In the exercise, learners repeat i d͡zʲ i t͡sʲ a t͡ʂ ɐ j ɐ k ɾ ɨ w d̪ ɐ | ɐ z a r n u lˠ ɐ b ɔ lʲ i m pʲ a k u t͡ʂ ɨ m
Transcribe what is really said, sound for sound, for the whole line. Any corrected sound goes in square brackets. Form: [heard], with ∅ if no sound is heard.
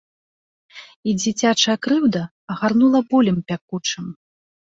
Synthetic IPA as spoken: i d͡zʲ i t͡sʲ a t͡ʂ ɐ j ɐ k ɾ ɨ w d̪ ɐ | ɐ [ɣ] a r n u lˠ ɐ b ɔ lʲ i m pʲ a k u t͡ʂ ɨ m